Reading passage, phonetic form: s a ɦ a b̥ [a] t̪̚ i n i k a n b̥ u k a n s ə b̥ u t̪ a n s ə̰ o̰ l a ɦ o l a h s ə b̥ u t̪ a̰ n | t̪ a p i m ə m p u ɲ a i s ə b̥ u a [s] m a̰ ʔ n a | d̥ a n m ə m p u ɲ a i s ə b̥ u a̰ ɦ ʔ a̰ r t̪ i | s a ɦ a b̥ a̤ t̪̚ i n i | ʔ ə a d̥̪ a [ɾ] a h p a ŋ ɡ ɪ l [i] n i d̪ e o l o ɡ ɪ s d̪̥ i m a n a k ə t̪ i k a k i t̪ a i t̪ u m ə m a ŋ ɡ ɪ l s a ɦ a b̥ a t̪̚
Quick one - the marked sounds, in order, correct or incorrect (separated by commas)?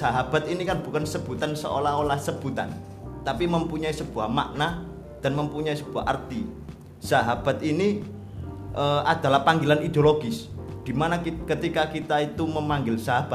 correct, incorrect, incorrect, incorrect